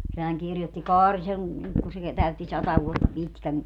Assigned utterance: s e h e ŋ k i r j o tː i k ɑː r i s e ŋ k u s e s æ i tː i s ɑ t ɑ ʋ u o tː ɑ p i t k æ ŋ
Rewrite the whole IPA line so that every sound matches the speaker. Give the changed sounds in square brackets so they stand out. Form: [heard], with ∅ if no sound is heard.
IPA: s e h [æ] ŋ k i r j o tː i k ɑː r i s e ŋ k u s e [t] æ [y] tː i s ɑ t ɑ ʋ u o tː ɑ p i t k æ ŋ